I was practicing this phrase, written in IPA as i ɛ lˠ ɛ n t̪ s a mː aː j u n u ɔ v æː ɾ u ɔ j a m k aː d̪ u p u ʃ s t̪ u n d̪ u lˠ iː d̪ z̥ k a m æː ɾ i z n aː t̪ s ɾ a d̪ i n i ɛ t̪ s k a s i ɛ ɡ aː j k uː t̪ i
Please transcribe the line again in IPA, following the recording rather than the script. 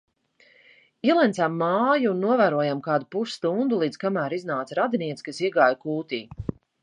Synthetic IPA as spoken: i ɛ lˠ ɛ n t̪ s a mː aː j u n u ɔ v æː ɾ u ɔ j a m k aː d̪ u p u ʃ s t̪ u n d̪ u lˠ iː d̪ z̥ k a m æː ɾ i z n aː t̪ s ɾ a d̪ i n i ɛ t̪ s k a s i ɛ ɡ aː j k uː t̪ iː